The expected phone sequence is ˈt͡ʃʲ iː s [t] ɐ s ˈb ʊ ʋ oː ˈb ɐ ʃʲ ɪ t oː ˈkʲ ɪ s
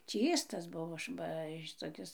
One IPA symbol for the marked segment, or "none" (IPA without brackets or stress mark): t